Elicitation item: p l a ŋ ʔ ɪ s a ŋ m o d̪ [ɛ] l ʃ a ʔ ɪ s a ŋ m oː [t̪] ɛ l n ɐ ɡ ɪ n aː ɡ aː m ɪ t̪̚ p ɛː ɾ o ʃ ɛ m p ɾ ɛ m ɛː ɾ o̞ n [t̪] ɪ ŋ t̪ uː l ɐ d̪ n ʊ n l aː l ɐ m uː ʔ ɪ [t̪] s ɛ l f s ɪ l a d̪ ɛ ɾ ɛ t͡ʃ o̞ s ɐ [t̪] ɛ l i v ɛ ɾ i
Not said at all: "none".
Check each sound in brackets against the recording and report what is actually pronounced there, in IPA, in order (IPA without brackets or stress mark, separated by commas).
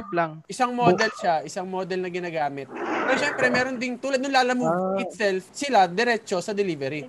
ɛ, d̪, d̪, t̪, d̪